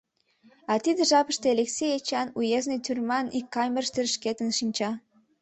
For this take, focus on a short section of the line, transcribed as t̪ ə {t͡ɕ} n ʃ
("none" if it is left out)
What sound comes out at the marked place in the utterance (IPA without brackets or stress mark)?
none